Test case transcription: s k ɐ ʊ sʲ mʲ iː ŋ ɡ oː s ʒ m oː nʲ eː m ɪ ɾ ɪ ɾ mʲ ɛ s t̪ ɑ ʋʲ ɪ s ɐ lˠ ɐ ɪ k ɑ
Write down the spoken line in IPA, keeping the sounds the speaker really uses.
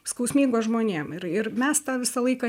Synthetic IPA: s k ɐ ʊ sʲ mʲ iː ŋ ɡ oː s ʒ m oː nʲ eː m ɪ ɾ ɪ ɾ mʲ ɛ s t̪ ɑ ʋʲ ɪ s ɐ lˠ ɐ ɪ k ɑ